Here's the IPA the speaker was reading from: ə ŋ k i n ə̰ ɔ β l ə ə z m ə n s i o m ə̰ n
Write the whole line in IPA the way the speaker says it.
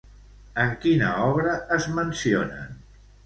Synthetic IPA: ə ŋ k i n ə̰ ɔ β ɾ ə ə z m ə n s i o n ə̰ n